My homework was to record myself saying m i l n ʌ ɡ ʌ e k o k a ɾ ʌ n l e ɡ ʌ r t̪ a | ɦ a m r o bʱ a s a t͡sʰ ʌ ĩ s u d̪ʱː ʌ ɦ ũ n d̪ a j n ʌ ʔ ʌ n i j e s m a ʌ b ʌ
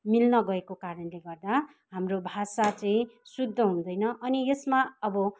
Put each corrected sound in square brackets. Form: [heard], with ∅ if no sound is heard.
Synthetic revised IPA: m i l n ʌ ɡ ʌ e k o k a ɾ ʌ n l e ɡ ʌ r [d̪] a | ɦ a m r o bʱ a s a [t͡s] ʌ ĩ s u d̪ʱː ʌ ɦ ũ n d̪ [ʌ] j n ʌ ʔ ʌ n i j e s m a ʌ b ʌ

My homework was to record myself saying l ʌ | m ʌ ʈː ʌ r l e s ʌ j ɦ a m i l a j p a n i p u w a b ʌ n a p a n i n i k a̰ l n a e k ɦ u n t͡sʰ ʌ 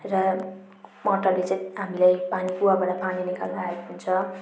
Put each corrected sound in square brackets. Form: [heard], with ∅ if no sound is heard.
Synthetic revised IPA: [r] ʌ | m ʌ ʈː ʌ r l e [t͡s] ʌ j ɦ a m i l a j p a n i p u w a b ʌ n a p a n i n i k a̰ l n a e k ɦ u n t͡sʰ ʌ

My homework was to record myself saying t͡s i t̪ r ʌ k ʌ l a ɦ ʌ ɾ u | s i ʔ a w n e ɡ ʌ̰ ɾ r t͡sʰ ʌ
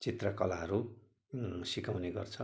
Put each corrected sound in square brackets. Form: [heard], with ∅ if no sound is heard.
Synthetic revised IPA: t͡s i t̪ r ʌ k ʌ l a ɦ ʌ ɾ u | s i [k] a w n e ɡ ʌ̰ [∅] r t͡sʰ ʌ

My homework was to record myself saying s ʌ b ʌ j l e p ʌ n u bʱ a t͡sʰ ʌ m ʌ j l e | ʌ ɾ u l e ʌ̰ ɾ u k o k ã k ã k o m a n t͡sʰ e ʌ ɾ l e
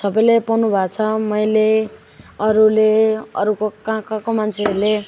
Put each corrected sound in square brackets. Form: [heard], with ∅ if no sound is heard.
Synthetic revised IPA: s ʌ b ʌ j l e p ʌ n u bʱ a t͡sʰ ʌ m ʌ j l e | ʌ ɾ u l e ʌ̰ ɾ u k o k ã k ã k o m a n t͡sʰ e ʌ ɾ l e

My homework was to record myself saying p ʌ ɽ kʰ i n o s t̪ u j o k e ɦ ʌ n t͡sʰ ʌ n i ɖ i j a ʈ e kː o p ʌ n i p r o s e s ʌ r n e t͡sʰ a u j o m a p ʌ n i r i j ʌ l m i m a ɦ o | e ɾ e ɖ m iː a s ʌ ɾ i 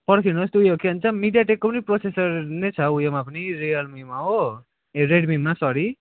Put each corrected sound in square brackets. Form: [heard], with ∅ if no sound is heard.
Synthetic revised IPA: p ʌ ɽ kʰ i n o s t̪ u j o k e ɦ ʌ n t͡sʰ ʌ [m] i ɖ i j a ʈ e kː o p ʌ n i p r o s e s ʌ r n e t͡sʰ [ʌ] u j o m a p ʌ n i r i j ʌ l m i m a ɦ o | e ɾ e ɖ m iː a s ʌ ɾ i

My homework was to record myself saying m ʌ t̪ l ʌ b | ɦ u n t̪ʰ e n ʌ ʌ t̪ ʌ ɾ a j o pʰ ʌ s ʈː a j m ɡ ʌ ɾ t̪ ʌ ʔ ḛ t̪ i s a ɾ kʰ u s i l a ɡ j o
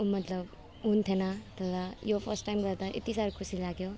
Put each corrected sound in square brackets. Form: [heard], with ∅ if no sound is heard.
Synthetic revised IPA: m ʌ t̪ l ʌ b | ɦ u n t̪ʰ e n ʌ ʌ t̪ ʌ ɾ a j o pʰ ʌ s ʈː a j m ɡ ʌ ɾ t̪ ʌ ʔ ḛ t̪ i s a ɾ kʰ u s i l a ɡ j o

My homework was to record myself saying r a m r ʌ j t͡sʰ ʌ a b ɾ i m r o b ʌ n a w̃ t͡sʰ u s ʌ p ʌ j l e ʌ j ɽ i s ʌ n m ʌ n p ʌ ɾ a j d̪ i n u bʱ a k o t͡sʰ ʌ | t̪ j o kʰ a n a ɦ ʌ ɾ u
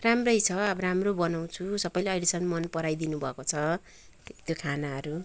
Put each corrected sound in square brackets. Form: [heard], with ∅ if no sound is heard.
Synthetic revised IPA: r a m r ʌ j t͡sʰ ʌ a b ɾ [a] m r o b ʌ n a w̃ t͡sʰ u s ʌ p ʌ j l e ʌ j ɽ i s ʌ n m ʌ n p ʌ ɾ a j d̪ i n u bʱ [ʌ] k o t͡sʰ ʌ | t̪ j o kʰ a n a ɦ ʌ ɾ u

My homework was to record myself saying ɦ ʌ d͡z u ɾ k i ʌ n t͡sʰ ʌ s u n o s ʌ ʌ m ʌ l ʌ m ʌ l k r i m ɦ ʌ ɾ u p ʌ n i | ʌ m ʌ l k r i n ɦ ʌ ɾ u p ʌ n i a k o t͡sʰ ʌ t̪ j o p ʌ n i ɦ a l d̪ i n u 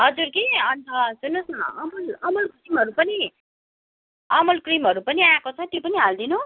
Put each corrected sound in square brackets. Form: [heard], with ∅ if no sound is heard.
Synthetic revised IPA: ɦ ʌ d͡z u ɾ k i ʌ n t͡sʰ ʌ s u n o s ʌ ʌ m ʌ l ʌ m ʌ l k r i m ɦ ʌ ɾ u p ʌ n i | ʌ m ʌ l k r i [m] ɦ ʌ ɾ u p ʌ n i a k o t͡sʰ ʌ t̪ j o p ʌ n i ɦ a l d̪ i n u

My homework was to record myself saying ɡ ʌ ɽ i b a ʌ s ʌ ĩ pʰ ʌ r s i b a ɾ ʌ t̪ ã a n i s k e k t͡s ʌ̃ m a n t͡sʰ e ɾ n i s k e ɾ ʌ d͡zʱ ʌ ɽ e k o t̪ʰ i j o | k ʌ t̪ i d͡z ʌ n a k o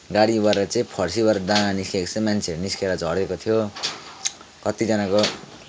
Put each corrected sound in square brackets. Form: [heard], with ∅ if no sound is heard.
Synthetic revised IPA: ɡ [a] ɽ i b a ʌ [t͡s] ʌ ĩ pʰ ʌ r s i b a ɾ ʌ [d̪] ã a n i s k e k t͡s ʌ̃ m a n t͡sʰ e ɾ n i s k e ɾ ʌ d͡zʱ ʌ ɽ e k o t̪ʰ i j o | k ʌ t̪ i d͡z ʌ n a k o

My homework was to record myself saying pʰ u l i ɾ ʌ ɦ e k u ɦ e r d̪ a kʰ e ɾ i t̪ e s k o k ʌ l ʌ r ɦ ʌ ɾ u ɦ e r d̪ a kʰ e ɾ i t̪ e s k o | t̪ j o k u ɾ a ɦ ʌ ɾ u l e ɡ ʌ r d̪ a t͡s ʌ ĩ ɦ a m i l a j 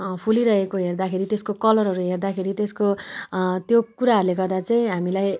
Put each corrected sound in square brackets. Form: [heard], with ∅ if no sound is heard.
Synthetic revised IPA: pʰ u l i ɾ ʌ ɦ e k [o] ɦ e r d̪ a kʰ e ɾ i t̪ e s k o k ʌ l ʌ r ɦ ʌ ɾ u ɦ e r d̪ a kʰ e ɾ i t̪ e s k o | t̪ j o k u ɾ a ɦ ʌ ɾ u l e ɡ ʌ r d̪ a t͡s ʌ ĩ ɦ a m i l a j

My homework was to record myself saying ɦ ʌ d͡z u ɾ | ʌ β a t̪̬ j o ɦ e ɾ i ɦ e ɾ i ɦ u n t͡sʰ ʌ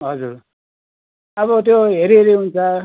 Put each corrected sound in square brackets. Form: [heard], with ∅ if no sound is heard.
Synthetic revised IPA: ɦ ʌ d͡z u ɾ | ʌ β [ʌ] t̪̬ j o ɦ e ɾ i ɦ e ɾ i ɦ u n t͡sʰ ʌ

